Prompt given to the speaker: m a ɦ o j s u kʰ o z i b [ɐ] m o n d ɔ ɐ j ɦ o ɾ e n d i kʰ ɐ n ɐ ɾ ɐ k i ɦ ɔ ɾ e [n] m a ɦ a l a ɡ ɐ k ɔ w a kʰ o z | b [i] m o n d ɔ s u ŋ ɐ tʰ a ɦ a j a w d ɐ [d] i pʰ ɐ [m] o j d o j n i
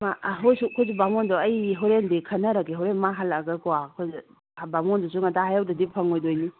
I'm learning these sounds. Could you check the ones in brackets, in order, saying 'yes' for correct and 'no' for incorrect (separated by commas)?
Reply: no, yes, no, yes, no